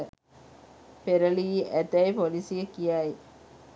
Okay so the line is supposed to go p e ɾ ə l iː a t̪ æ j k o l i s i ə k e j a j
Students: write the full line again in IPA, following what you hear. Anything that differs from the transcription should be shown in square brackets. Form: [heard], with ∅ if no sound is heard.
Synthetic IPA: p e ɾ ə l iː [æ] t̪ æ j [p] o l i s i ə k [i] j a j